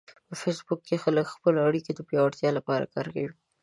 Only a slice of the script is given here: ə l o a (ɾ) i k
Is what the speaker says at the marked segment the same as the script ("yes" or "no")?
no